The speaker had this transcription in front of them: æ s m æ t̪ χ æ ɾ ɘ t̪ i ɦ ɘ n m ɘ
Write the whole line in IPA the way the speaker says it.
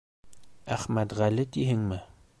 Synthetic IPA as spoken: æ χ m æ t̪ ʁ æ l ɘ t̪ i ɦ ɘ ŋ m ɘ